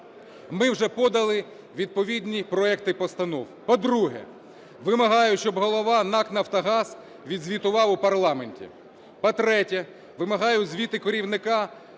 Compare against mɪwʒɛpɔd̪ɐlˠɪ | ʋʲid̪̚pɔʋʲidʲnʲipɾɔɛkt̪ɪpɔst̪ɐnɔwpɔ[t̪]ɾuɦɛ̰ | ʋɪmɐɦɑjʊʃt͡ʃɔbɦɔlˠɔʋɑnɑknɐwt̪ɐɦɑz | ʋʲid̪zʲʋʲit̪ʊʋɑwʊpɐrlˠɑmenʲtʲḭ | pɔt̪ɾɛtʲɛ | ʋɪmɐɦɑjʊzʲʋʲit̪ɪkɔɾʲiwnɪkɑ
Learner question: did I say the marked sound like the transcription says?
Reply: no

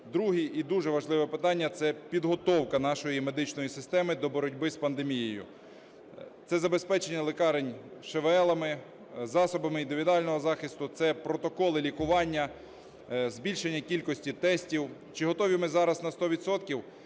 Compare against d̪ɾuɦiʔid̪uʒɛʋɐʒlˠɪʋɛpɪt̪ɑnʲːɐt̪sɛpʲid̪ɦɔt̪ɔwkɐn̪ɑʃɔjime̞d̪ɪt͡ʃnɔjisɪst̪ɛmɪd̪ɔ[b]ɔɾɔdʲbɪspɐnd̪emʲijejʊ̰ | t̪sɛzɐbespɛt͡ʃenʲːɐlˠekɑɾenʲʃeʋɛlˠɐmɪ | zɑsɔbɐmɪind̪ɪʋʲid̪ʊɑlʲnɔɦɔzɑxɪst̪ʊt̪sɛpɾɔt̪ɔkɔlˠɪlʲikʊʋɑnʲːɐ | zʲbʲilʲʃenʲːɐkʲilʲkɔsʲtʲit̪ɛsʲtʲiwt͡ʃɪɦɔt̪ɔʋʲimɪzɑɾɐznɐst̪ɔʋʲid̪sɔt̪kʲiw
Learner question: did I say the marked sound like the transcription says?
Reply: yes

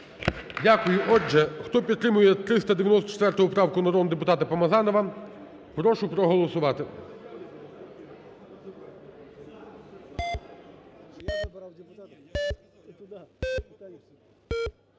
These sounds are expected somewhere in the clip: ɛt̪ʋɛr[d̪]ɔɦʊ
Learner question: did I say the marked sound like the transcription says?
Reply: no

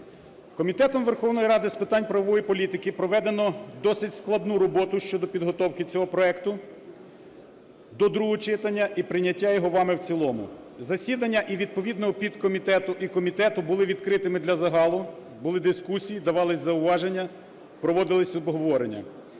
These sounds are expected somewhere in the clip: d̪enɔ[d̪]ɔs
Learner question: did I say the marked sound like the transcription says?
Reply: yes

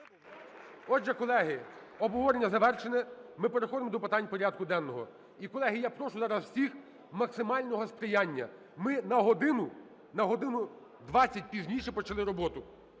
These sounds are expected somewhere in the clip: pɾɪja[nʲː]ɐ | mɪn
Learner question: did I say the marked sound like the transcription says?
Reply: yes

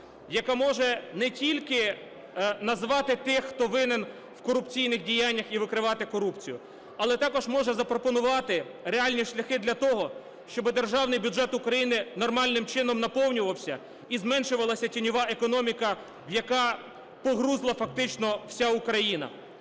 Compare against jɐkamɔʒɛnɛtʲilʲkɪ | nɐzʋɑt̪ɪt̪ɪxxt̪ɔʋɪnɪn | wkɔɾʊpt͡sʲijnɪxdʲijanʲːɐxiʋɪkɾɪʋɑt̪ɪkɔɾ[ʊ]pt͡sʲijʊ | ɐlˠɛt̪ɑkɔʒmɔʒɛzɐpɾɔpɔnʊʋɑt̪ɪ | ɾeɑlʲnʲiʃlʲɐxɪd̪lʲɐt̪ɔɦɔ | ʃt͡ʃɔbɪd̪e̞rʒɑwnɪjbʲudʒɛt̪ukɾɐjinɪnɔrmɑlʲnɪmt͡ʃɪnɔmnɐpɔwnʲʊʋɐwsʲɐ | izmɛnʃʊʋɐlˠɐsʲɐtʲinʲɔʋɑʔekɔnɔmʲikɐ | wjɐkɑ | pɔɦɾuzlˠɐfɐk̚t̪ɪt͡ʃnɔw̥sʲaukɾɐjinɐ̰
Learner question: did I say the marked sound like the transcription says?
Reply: no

